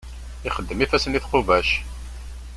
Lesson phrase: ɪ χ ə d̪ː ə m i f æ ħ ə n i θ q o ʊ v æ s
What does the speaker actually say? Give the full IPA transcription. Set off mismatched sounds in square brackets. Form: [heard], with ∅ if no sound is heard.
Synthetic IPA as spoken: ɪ χ ə d̪ː ə m i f æ [s] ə n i θ q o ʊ v æ [ʃ]